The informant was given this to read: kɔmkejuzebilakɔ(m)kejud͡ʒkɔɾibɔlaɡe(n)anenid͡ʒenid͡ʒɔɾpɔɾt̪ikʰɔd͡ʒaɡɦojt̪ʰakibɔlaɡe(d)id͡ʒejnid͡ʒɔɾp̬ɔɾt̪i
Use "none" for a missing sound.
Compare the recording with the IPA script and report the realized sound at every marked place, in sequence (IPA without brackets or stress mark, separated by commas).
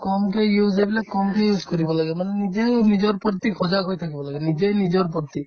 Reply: m, m, n